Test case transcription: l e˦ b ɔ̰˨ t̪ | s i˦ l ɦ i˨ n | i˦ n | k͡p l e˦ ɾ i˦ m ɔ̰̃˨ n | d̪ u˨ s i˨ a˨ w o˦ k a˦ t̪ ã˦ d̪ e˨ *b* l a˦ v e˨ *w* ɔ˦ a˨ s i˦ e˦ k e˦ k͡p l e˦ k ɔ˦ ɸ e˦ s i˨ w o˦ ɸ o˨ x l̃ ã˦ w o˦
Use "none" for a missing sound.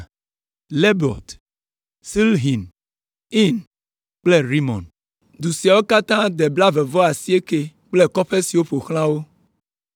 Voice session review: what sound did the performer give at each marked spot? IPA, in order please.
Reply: b, v

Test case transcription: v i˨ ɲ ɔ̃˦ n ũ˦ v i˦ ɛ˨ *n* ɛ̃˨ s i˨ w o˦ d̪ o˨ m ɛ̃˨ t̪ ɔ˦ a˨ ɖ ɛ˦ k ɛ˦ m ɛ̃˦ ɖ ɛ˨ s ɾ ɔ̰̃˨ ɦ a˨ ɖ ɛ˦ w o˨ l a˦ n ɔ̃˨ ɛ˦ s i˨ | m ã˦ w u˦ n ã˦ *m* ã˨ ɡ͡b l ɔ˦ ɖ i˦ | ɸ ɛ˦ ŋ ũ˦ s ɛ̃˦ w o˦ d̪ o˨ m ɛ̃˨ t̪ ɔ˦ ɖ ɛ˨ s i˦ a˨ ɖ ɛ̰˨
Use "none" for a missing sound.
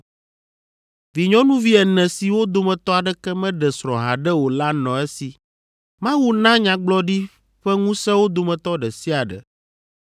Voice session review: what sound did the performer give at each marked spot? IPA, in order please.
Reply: n, ɲ

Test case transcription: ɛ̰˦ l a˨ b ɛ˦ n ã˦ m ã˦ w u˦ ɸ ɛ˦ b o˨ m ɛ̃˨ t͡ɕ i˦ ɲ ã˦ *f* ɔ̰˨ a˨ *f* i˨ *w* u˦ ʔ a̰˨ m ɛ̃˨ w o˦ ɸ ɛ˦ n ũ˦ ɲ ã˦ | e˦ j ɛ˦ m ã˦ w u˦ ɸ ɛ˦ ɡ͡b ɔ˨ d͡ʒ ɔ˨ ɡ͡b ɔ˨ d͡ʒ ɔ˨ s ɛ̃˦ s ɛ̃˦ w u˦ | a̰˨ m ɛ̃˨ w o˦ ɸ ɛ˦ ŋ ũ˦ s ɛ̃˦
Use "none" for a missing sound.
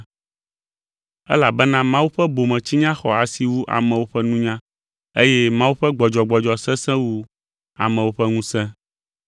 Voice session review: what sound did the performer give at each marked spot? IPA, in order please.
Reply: x, s, w

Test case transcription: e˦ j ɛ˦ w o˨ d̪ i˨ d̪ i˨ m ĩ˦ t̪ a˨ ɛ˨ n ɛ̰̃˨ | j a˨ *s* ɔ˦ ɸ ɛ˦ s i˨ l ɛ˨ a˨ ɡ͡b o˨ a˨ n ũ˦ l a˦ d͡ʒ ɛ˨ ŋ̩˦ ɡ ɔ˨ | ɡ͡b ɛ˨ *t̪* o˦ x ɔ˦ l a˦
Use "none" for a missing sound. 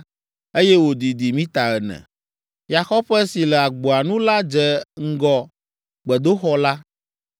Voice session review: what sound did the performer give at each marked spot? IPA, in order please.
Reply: x, d̪

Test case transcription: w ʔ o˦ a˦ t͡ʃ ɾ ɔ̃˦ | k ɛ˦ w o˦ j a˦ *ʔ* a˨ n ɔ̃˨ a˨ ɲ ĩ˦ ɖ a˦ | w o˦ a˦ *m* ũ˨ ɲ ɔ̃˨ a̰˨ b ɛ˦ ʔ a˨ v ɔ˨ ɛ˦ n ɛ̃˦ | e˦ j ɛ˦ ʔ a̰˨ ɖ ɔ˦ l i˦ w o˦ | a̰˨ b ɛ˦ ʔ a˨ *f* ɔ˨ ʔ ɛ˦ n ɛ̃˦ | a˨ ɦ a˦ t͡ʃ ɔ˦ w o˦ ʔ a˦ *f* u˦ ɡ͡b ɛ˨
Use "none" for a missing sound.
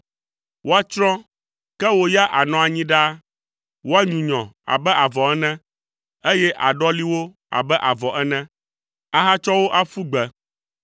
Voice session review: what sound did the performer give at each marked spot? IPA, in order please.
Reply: ʔ, ɲ, v, f

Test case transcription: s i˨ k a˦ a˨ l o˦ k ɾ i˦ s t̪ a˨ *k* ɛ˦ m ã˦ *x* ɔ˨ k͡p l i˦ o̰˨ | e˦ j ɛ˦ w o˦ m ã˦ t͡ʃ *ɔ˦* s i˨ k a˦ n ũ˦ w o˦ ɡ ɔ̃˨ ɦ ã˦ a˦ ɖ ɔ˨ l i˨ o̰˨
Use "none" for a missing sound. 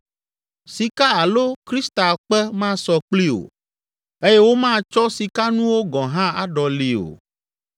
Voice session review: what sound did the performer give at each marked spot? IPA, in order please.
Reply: k͡p, s, ɔ˦

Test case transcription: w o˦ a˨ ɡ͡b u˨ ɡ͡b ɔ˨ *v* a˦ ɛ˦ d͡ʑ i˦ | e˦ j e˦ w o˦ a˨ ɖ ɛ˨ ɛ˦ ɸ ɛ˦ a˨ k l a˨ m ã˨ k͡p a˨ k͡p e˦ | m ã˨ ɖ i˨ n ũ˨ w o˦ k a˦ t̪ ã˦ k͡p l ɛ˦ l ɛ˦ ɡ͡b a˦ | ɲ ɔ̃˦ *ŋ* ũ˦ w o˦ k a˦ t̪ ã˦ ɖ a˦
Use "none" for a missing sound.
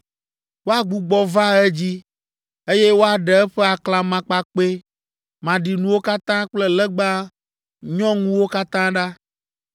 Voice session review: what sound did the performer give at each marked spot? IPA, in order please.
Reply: v, ŋ

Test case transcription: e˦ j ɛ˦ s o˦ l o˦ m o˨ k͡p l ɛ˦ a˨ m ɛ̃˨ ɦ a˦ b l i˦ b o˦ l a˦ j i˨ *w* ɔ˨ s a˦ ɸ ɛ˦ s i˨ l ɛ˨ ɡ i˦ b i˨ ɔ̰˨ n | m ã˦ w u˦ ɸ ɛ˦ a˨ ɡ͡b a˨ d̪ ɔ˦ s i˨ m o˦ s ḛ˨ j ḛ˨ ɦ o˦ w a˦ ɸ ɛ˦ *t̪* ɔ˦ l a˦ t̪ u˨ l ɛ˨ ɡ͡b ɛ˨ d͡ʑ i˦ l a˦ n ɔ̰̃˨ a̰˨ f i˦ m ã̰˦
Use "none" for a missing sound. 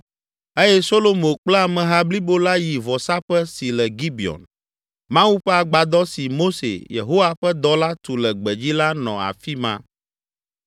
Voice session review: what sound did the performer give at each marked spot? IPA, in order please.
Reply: v, d̪

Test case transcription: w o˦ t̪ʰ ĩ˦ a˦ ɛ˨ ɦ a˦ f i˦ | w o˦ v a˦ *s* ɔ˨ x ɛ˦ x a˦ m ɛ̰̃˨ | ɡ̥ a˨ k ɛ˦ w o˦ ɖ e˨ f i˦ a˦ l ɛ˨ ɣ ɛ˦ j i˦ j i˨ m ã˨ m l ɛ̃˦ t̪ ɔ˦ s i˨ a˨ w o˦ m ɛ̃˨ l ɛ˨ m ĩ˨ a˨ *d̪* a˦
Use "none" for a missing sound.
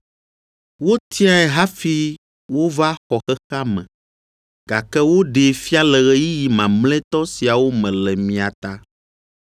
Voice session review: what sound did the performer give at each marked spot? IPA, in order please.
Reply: x, t̪

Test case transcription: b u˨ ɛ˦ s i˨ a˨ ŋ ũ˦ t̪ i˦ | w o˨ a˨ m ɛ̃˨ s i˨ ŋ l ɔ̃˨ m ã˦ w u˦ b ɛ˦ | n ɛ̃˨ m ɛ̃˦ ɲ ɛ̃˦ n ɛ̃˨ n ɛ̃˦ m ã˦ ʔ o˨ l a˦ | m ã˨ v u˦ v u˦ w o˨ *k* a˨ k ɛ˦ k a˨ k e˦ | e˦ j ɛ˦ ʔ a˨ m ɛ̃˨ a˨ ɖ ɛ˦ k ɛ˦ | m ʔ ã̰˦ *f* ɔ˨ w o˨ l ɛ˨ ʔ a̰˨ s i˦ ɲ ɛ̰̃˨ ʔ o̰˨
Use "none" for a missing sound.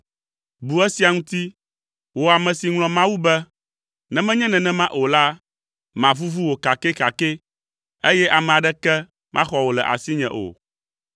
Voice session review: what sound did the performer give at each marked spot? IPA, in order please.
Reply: k, x

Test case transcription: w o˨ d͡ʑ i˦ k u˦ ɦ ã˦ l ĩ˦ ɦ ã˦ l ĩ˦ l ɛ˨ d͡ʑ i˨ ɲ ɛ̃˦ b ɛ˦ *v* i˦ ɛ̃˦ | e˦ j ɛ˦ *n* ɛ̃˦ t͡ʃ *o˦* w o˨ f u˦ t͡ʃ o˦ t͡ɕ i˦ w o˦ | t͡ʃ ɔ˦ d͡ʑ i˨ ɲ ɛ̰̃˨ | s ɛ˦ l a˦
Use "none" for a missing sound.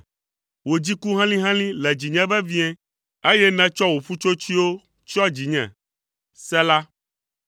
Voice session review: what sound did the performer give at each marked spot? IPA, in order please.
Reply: v, n, ɔ˦

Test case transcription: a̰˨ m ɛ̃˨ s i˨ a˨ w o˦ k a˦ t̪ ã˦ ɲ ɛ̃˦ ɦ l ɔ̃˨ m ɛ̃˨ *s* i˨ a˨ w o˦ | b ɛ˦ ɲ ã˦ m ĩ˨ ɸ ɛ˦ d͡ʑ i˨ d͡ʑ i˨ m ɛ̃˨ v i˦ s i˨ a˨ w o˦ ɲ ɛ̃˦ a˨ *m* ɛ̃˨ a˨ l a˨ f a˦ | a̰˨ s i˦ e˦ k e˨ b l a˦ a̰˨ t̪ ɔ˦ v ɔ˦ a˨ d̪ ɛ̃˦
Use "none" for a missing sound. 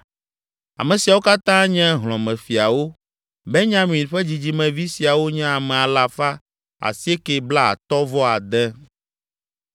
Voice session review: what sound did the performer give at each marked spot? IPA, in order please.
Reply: f, m

